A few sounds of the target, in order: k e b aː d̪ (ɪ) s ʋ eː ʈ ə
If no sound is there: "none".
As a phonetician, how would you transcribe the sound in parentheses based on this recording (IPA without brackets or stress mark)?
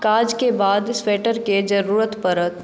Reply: ɪ